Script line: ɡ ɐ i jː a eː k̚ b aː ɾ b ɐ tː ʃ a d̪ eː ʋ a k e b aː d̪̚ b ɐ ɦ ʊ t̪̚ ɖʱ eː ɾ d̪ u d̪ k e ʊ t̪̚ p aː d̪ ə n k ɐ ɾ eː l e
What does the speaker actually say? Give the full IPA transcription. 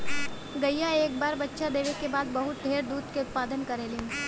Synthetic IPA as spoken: ɡ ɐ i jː a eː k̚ b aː ɾ b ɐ tː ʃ a d̪ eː ʋ e k e b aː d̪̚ b ɐ ɦ ʊ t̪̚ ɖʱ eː ɾ d̪ uː d̪ k e ʊ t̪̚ p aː d̪ ə n k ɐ ɾ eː l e

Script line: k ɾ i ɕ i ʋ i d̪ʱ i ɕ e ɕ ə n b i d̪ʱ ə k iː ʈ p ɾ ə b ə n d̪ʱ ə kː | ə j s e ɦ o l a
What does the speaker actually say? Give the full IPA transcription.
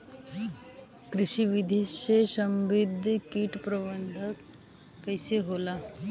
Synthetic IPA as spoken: k ɾ i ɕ i ʋ i d̪ʱ i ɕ e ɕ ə m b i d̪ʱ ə k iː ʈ p ɾ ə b ə n d̪ʱ ə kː | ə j s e ɦ o l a

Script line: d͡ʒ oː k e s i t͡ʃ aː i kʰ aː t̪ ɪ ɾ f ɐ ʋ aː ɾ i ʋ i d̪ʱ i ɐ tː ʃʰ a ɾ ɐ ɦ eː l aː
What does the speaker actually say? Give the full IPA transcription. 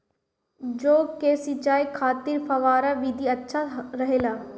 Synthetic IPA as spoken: d͡ʒ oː k e s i t͡ʃ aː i kʰ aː t̪ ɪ ɾ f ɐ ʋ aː ɾ a ʋ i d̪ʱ i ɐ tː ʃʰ a ɾ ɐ ɦ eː l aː

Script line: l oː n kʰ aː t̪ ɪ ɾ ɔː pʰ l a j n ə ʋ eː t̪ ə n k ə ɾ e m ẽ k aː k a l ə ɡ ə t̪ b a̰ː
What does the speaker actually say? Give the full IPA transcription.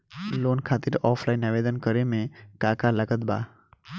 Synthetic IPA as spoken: l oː n kʰ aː t̪ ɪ ɾ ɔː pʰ l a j n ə ʋ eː d̪ ə n k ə ɾ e m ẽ k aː k a l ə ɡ ə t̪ b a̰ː

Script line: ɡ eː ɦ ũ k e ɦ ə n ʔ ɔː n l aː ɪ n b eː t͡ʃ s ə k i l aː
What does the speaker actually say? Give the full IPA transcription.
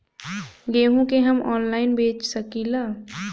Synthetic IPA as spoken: ɡ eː ɦ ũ k e ɦ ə m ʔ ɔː n l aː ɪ n b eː t͡ʃ s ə k i l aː

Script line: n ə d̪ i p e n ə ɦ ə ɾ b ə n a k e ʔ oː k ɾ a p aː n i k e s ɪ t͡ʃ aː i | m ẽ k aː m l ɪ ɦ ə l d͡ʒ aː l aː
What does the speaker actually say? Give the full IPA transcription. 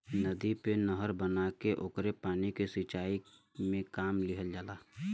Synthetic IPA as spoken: n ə d̪ i p e n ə ɦ ə ɾ b ə n a k e ʔ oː k ɾ e p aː n i k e s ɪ t͡ʃ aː i | m ẽ k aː m l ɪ ɦ ə l d͡ʒ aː l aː

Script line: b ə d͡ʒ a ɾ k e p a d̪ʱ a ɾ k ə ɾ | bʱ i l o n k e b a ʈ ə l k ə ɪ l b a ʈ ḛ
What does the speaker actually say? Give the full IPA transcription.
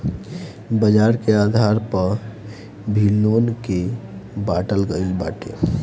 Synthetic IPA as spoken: b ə d͡ʒ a ɾ k e a d̪ʱ a ɾ p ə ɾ | bʱ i l o n k e b a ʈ ə l ɡ ə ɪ l b a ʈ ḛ

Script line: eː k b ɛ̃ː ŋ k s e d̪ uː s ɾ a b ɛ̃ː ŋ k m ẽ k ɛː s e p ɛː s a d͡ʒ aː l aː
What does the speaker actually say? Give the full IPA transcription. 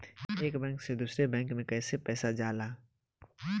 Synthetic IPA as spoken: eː k b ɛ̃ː ŋ k s e d̪ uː s ɾ e b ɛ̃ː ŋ k m ẽ k ɛː s e p ɛː s a d͡ʒ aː l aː

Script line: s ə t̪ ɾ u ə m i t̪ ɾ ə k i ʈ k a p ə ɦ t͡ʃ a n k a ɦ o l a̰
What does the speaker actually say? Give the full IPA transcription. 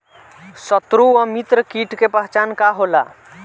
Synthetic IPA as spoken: s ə t̪ ɾ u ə m i t̪ ɾ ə k i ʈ k e p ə ɦ t͡ʃ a n k a ɦ o l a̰

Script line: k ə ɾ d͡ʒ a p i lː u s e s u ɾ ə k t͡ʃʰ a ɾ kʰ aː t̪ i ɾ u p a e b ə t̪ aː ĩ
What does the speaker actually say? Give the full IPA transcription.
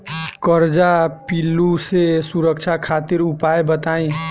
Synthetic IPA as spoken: k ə ɾ d͡ʒ a p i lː u s e s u ɾ ə k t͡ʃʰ a kʰ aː t̪ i ɾ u p a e b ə t̪ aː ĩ

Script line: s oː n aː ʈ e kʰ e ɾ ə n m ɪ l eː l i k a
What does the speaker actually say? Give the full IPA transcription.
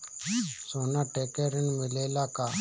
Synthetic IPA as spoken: s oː n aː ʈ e k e ɾ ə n m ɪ l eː l a k a

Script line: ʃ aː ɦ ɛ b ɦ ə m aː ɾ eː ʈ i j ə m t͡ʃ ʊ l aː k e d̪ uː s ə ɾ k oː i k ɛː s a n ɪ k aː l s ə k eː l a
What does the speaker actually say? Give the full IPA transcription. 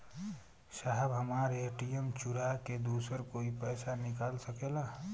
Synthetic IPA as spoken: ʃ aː ɦ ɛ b ɦ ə m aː ɾ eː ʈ i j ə m t͡ʃ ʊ ɾ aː k e d̪ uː s ə ɾ k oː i p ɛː s a n ɪ k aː l s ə k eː l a

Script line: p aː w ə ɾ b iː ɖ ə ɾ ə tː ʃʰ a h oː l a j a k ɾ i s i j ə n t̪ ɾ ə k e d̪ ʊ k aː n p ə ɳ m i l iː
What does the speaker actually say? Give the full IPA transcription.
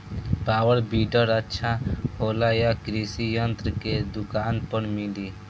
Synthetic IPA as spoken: p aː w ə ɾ b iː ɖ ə ɾ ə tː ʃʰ a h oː l a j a k ɾ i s i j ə n t̪ ɾ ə k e d̪ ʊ k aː n p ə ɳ m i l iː

